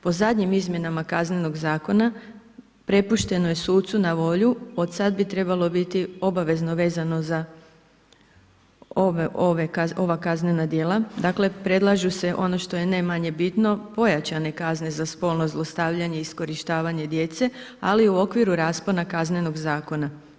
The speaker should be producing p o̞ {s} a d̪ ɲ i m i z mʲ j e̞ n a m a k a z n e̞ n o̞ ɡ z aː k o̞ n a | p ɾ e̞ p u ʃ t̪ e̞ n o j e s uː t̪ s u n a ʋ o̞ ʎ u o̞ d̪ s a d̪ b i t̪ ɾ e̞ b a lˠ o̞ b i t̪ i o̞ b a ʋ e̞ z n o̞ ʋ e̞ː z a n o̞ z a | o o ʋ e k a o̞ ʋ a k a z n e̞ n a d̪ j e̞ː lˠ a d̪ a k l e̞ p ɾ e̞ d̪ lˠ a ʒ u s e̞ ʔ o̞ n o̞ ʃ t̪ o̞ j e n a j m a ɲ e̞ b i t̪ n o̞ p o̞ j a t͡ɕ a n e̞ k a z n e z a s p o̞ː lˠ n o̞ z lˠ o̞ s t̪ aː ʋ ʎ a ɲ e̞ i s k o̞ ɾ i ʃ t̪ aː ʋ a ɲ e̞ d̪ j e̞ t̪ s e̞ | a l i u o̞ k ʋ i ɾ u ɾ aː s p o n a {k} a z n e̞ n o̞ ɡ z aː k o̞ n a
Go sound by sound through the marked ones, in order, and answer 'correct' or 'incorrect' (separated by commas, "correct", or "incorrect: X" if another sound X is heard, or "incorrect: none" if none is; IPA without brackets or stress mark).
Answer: incorrect: z, correct